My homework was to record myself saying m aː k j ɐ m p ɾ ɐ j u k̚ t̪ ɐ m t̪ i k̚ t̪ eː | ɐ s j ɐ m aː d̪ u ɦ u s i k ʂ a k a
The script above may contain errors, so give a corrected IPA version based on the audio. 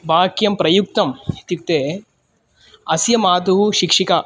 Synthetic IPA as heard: b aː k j ɐ m p ɾ ɐ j u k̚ t̪ ɐ m t̪ i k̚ t̪ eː | ɐ s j ɐ m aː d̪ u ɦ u ʃ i k ʂ i k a